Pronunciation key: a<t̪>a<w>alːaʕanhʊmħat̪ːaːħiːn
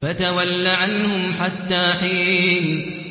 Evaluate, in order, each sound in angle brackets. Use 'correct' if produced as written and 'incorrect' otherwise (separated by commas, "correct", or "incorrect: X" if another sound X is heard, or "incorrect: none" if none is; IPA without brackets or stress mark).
correct, correct